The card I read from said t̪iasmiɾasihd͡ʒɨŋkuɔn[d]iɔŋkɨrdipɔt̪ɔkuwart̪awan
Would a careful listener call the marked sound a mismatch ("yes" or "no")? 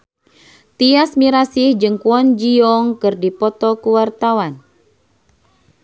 yes